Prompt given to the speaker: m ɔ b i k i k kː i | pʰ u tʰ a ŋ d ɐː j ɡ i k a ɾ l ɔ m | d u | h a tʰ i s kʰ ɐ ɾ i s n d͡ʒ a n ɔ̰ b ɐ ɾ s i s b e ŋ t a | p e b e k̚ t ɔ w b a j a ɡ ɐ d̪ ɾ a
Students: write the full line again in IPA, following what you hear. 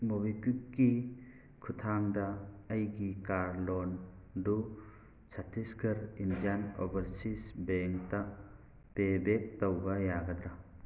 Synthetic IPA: m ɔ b i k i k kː i | kʰ u tʰ a ŋ d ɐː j ɡ i k a ɾ l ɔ n | d u | s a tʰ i s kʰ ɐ ɾ i n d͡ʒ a n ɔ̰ b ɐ ɾ s i s b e ŋ t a | p e b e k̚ t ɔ w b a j a ɡ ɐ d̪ ɾ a

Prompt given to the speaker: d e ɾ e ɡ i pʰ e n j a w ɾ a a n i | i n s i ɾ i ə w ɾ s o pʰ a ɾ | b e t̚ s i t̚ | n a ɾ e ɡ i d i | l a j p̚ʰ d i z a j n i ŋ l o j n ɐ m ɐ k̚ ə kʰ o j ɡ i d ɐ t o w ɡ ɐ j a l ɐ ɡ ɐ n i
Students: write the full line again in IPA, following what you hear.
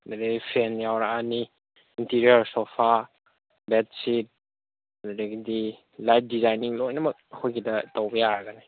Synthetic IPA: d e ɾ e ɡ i pʰ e n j a w ɾ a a n i | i n t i ɾ i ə ɾ s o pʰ a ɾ | b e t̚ s i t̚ | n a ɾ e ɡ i d i | l a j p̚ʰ d i z a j n i ŋ l o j n ɐ m ɐ k̚ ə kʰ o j ɡ i d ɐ t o w b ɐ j a ɾ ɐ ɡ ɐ n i

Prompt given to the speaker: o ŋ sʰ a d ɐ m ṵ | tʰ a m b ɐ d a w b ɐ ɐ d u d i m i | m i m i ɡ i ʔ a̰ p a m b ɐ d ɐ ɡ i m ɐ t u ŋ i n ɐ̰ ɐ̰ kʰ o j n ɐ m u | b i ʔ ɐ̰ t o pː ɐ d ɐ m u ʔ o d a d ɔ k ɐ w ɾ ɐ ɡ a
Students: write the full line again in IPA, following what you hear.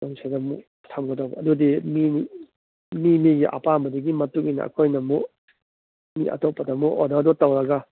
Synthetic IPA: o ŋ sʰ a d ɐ m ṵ | tʰ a m ɡ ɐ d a w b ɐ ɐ d u d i m i | m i m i ɡ i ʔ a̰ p a m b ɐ d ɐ ɡ i m ɐ t u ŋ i n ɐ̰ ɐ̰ kʰ o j n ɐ m u | m i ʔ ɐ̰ t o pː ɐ d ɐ m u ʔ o d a d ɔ t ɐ w ɾ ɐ ɡ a

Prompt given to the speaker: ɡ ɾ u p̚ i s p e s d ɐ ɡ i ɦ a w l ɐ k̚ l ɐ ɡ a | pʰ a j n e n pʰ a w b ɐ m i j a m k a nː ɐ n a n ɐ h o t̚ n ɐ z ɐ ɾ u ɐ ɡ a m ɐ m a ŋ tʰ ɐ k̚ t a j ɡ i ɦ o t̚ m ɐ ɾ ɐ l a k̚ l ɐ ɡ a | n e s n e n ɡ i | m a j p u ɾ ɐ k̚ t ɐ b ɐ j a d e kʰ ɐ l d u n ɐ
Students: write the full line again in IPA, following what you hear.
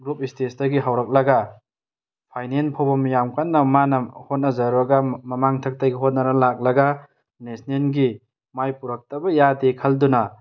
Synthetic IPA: ɡ ɾ u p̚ i s t e s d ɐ ɡ i ɦ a w ɾ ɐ k̚ l ɐ ɡ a | pʰ a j n e n pʰ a w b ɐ m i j a m k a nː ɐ m a n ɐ h o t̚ n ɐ z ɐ ɾ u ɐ ɡ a m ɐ m a ŋ tʰ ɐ k̚ t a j ɡ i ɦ o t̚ n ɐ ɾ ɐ l a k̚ l ɐ ɡ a | n e s n e n ɡ i | m a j p u ɾ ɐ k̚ t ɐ b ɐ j a d e kʰ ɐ l d u n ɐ

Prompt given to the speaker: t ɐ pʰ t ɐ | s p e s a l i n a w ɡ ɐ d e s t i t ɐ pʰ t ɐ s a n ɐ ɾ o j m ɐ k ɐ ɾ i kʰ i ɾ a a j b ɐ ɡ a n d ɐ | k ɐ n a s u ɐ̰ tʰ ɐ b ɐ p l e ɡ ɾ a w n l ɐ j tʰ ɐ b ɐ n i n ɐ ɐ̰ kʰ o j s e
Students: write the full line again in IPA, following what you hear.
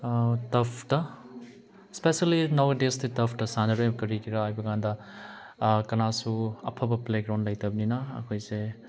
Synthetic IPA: t ɐ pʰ t ɐ | s p e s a l i n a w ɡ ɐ d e s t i t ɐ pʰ t ɐ s a n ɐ ɾ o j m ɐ k ɐ ɾ i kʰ i ɾ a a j b ɐ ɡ a n d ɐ | k ɐ n a s u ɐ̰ pʰ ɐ b ɐ p l e ɡ ɾ a w n l ɐ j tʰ ɐ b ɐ n i n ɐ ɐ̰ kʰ o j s e

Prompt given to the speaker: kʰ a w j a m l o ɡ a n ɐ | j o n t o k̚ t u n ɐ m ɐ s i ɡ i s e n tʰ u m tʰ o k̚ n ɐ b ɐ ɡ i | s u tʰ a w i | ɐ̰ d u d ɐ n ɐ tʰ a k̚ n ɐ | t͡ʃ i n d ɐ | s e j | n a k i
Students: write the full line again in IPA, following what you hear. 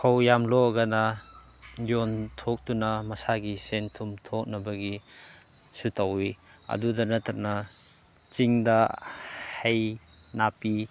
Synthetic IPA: kʰ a w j a m l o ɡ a n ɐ | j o n tʰ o k̚ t u n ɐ m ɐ s a ɡ i s e n tʰ u m tʰ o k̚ n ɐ b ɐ ɡ i | s u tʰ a w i | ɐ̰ d u d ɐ n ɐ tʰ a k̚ n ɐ | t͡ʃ i ŋ d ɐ | h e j | n a p i

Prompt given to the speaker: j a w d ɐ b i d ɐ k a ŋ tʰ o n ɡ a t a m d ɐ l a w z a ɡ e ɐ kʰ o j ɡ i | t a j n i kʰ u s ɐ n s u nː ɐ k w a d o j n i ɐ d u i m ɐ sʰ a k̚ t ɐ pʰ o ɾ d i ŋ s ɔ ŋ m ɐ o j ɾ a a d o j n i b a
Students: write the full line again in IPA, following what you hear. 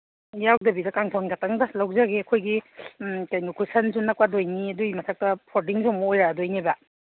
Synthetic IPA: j a w d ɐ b i d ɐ k a ŋ tʰ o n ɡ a t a ŋ d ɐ l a w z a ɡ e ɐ kʰ o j ɡ i | k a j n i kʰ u s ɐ n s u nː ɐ k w a d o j n i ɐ d u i m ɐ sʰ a k̚ t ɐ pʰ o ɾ d i ŋ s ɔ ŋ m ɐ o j ɾ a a d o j n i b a

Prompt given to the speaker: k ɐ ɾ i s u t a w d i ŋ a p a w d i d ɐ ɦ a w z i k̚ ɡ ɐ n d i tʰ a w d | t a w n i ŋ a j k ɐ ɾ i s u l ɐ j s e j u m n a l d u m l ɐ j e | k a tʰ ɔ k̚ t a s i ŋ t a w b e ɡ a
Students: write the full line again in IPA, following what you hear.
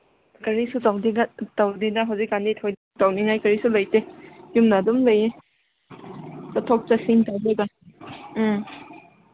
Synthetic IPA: k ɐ ɾ i s u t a w d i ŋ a t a w d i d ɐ ɦ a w z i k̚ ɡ a n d i tʰ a w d | t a w n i ŋ a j k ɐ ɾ i s u l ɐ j t e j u m n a d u m l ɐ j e | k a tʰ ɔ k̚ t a s i ŋ t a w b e ɡ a

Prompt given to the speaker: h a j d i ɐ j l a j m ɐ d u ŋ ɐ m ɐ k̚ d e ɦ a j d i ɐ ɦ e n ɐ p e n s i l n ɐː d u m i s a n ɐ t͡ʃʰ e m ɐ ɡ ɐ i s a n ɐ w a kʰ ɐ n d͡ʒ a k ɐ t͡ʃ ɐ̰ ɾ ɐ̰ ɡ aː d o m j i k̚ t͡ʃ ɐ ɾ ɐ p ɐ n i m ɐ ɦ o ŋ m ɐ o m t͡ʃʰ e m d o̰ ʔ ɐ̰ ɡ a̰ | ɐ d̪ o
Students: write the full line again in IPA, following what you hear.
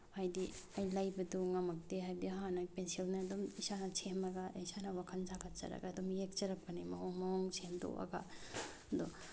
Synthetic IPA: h a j d i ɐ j l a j b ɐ d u ŋ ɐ m ɐ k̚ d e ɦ a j d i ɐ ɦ a n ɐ p e n s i l n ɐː d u m i s a n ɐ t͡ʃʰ e m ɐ ɡ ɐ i s a n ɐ w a kʰ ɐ n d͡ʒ a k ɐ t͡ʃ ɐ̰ ɾ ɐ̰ ɡ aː d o m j e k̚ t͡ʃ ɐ ɾ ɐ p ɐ n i m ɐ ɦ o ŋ m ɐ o ŋ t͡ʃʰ e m d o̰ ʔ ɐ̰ ɡ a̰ | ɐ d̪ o

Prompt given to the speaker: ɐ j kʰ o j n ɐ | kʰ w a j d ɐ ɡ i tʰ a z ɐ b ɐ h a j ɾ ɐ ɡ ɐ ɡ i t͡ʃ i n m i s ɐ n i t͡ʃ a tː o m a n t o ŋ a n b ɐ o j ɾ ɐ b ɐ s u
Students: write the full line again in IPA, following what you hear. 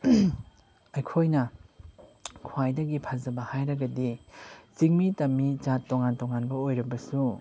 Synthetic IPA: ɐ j kʰ o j n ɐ | kʰ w a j d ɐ ɡ i pʰ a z ɐ b ɐ h a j ɾ ɐ ɡ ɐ d i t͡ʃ i ŋ m i t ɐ m i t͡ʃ a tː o ŋ a n t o ŋ a n b ɐ o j ɾ ɐ b ɐ s u

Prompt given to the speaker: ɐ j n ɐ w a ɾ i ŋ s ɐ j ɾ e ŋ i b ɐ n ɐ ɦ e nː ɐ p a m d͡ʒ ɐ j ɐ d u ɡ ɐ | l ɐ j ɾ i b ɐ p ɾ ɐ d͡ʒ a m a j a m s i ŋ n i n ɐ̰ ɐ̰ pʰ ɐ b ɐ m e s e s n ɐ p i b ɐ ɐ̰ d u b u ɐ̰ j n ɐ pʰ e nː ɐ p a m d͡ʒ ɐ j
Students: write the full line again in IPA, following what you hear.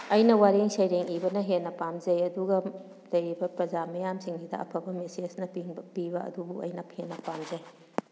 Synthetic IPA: ɐ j n ɐ w a ɾ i ŋ s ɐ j ɾ e ŋ i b ɐ n ɐ ɦ e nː ɐ p a m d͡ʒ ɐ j ɐ d u ɡ ɐ | l ɐ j ɾ i b ɐ p ɾ ɐ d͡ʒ a m ɐ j a m s i ŋ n i d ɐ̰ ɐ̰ pʰ ɐ b ɐ m e s e s n ɐ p i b ɐ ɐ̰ d u b u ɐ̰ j n ɐ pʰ e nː ɐ p a m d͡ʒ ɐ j

